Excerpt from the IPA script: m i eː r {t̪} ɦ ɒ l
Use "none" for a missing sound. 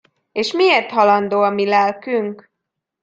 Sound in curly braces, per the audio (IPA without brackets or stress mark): t̪